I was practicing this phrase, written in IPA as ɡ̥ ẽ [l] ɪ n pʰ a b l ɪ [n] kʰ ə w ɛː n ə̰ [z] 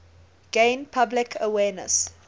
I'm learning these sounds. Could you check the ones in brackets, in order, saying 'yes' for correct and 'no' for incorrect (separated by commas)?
no, no, no